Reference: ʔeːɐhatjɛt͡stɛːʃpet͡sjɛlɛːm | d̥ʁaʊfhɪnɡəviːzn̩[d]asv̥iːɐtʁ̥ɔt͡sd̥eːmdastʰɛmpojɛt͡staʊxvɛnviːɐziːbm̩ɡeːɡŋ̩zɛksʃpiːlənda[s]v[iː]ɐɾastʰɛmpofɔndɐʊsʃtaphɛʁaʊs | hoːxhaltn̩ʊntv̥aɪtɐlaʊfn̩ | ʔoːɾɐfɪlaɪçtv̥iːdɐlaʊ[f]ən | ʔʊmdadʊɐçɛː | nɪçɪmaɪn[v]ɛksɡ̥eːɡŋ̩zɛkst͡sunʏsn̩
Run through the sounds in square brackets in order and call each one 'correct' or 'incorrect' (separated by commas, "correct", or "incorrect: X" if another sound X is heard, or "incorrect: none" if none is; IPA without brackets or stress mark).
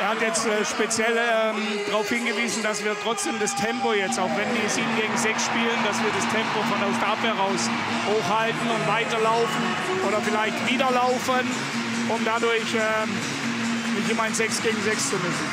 correct, correct, correct, correct, incorrect: z